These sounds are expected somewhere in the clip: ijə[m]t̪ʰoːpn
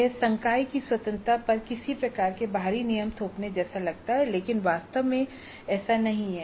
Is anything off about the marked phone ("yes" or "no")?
no